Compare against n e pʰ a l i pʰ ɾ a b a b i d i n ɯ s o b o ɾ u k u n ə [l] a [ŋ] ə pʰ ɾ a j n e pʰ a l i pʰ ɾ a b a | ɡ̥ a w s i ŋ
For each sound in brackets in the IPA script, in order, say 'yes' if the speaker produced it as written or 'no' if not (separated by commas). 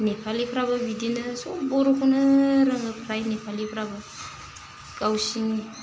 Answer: no, yes